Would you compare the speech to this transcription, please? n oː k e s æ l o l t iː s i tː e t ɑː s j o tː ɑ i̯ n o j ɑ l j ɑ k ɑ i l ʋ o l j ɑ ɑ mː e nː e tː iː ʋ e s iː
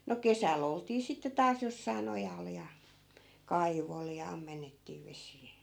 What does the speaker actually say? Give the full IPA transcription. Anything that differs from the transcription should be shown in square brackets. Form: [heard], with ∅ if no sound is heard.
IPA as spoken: n [o] k e s æ l o l t iː s i tː e t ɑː s j o [sː] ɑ i̯ n o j ɑ l j ɑ k ɑ i [∅] ʋ o l j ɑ ɑ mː e nː e tː iː ʋ e s iː